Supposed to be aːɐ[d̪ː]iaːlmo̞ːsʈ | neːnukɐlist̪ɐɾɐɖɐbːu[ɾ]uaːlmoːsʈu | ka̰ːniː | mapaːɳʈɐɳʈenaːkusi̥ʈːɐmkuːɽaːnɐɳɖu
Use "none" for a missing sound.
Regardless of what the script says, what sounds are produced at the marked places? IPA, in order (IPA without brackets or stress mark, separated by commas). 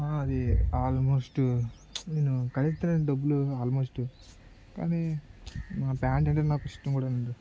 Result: d̪, l